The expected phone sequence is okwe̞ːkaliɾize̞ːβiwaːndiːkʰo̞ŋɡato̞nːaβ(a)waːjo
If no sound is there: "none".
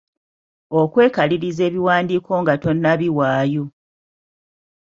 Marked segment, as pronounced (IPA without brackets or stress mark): i